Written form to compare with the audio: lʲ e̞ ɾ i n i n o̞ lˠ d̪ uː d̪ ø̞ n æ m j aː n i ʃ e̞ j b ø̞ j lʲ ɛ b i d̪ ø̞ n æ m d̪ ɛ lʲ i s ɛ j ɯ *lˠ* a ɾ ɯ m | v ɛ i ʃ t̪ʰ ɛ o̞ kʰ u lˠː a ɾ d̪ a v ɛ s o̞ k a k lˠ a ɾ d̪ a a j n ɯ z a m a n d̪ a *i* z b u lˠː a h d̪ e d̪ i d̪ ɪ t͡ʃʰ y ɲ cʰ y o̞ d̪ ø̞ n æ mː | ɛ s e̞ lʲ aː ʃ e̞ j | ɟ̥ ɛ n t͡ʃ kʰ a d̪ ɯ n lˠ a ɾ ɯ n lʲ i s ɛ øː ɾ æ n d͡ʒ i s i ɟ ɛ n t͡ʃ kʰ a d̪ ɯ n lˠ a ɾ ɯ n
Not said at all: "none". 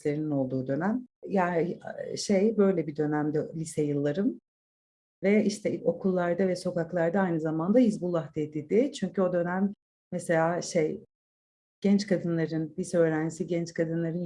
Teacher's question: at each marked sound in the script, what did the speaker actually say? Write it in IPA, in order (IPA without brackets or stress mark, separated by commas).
lˠː, i